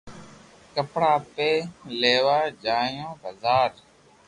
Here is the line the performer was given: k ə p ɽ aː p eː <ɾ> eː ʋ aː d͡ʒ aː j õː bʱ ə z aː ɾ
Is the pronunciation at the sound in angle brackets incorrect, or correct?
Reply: incorrect